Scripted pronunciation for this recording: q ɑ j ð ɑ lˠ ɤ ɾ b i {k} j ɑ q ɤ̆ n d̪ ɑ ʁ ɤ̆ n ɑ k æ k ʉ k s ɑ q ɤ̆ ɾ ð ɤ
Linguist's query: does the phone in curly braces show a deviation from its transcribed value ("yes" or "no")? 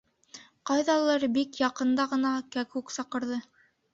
no